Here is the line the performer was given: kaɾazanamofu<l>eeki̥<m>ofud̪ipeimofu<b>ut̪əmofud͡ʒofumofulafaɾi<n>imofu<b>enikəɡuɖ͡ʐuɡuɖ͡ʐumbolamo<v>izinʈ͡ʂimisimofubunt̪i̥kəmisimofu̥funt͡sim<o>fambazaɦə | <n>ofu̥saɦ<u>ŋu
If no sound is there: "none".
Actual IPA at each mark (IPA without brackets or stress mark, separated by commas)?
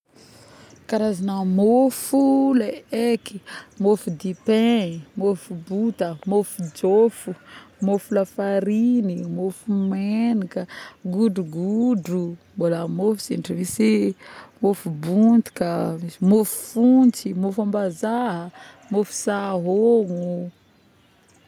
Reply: l, m, b, n, m, f, o, m, o